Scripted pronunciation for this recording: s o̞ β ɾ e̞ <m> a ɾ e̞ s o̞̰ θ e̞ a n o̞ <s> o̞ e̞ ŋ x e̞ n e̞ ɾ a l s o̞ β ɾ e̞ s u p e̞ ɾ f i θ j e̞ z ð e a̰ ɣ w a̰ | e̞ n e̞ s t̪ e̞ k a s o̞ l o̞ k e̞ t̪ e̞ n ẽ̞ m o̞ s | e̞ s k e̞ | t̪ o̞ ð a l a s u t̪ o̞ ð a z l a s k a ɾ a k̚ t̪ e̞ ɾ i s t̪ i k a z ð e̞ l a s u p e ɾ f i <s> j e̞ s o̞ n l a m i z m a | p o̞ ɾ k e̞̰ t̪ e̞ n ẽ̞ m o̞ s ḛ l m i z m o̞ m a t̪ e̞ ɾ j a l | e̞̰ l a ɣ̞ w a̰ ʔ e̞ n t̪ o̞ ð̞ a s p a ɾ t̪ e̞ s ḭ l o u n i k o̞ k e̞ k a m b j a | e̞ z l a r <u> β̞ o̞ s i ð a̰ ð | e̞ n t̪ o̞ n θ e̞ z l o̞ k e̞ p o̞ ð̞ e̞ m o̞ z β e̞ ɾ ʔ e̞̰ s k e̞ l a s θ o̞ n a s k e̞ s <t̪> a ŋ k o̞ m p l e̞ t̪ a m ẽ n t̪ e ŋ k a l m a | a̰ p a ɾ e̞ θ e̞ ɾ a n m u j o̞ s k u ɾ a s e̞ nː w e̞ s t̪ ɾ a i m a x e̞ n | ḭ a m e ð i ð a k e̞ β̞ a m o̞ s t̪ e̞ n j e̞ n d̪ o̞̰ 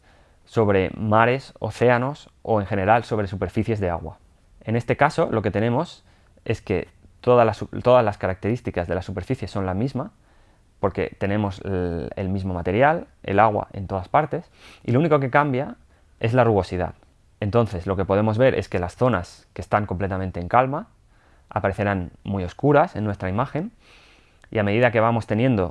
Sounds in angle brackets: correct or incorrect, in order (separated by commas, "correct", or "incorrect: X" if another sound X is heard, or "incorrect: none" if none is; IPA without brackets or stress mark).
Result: correct, correct, incorrect: θ, correct, correct